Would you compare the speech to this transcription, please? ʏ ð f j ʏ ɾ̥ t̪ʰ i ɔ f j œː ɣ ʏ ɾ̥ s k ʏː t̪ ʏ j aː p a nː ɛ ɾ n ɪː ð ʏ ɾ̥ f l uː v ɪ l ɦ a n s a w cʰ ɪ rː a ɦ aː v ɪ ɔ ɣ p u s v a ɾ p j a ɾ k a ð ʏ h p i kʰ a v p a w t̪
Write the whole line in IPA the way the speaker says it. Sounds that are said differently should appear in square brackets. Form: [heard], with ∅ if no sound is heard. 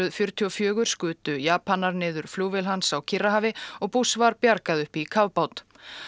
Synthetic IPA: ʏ ð f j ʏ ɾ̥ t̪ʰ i ɔ f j œː ɣ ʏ ɾ̥ s k ʏː t̪ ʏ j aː p a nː [a] ɾ n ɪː ð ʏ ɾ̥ f l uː v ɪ l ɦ a n s a w cʰ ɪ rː a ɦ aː v ɪ ɔ ɣ p u s v a ɾ p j a ɾ k a ð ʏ h p i kʰ a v p a w t̪